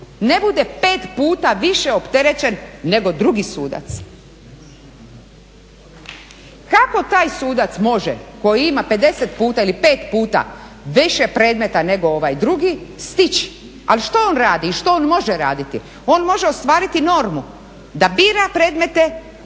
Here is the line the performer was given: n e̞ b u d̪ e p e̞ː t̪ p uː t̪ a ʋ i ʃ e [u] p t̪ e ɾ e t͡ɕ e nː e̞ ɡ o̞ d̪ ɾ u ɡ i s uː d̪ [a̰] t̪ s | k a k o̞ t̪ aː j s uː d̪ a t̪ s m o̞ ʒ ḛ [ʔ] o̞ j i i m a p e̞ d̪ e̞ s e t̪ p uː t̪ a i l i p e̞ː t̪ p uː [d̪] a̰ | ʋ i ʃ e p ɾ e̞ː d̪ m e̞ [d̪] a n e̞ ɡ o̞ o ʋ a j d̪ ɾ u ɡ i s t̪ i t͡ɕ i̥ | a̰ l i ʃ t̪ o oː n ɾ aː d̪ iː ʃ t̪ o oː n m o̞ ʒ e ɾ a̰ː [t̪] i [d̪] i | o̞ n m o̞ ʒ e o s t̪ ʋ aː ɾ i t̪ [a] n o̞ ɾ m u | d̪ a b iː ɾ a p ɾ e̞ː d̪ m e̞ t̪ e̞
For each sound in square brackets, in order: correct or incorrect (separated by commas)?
incorrect, correct, incorrect, incorrect, incorrect, incorrect, incorrect, incorrect